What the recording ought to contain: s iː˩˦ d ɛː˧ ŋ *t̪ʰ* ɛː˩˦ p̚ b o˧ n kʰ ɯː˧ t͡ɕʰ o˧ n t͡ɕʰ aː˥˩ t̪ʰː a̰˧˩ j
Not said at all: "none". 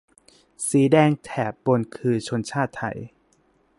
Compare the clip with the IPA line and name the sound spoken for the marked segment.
t̪ʰ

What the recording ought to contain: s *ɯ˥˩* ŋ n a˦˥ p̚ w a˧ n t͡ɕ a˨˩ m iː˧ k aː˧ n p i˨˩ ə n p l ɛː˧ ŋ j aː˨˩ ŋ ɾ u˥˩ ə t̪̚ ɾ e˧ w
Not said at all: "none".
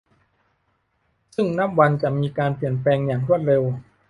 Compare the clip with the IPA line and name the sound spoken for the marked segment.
ɯ˥˩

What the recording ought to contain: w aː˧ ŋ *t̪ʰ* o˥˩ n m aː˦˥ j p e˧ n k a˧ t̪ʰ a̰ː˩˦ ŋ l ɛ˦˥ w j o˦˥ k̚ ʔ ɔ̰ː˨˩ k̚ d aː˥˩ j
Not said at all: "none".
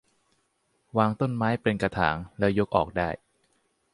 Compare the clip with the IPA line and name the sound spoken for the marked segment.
t̪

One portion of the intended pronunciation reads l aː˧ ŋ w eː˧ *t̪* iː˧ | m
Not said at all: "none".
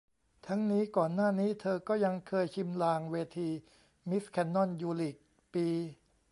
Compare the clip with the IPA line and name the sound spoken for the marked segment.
t̪ʰ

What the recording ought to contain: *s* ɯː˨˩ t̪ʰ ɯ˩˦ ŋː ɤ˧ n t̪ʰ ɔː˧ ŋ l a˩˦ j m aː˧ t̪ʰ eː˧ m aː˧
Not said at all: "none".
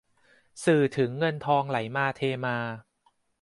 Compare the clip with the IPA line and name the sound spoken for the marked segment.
s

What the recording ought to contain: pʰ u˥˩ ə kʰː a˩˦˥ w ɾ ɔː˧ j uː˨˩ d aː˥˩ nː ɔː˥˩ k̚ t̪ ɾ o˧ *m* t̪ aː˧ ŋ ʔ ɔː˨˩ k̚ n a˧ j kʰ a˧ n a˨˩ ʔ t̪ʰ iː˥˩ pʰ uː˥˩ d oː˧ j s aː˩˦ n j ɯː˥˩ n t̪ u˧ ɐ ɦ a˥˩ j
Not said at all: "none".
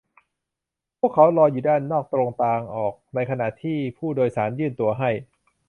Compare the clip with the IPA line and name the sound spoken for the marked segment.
ŋ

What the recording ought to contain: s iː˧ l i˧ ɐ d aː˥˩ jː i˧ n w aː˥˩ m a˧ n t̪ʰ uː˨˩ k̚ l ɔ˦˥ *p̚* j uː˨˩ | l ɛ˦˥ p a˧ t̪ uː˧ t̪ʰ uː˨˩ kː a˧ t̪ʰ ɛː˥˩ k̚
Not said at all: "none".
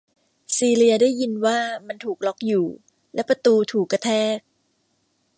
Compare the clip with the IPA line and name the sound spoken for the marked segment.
k̚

